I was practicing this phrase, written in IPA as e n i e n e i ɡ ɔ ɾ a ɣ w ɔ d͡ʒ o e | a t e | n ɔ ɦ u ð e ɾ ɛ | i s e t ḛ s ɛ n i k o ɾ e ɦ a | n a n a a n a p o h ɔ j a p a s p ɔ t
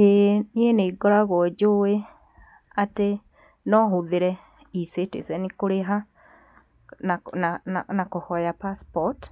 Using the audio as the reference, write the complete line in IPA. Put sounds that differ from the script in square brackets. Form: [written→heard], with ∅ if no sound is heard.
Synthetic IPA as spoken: e n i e n e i ɡ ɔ ɾ a ɣ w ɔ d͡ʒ o e | a t e | n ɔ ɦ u ð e ɾ ɛ | i s e t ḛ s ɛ n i k o ɾ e ɦ a | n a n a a n a [p→k] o h ɔ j a p a s p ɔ t